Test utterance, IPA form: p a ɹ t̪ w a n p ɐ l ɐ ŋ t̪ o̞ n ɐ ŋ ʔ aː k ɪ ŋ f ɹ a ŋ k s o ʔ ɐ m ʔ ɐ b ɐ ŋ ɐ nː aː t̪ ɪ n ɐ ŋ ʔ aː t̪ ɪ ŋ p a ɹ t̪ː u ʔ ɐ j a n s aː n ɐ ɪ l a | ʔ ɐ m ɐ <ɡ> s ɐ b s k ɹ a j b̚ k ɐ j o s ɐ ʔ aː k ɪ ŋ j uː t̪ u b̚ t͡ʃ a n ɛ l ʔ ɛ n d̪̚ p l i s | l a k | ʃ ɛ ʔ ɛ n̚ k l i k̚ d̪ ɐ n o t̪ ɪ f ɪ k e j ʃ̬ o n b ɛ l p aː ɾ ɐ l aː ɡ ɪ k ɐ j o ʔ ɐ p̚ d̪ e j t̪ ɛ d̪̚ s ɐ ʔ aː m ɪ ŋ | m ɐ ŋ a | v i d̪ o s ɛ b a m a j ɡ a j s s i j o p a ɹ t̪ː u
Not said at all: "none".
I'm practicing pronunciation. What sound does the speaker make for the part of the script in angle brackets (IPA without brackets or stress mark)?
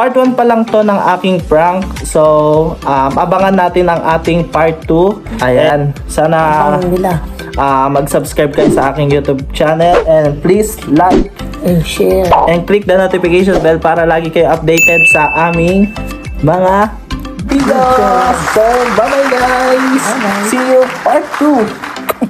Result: ɡ